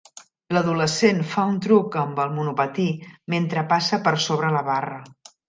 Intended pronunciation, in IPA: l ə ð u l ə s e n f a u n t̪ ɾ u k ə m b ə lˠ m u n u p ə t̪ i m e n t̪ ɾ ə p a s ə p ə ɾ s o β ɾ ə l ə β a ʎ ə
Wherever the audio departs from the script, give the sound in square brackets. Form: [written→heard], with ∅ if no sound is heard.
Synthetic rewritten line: l ə ð u l ə s e n f a u n t̪ ɾ u k ə m b ə lˠ m u n u p ə t̪ i m e n t̪ ɾ ə p a s ə p ə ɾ s o β ɾ ə l ə β a [ʎ→r] ə